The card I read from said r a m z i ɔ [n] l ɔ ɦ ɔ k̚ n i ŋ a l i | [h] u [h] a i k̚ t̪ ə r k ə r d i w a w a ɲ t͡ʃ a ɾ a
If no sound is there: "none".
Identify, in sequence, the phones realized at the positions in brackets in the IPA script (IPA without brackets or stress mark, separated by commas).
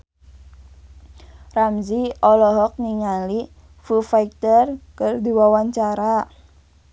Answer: none, f, f